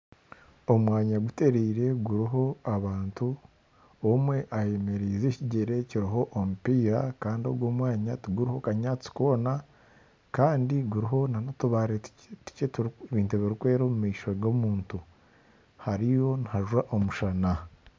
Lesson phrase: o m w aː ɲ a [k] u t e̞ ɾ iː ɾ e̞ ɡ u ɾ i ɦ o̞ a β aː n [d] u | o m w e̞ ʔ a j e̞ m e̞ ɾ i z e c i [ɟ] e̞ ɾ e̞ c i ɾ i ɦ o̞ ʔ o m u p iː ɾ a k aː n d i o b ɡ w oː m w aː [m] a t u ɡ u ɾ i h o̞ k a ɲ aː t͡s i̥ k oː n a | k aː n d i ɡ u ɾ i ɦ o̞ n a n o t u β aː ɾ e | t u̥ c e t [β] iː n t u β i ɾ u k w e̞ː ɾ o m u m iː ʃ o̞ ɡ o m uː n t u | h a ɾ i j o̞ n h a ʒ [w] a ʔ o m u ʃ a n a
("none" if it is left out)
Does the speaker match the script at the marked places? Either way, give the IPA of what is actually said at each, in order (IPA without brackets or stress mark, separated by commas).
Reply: ɡ, t, ɟ, ɲ, β, w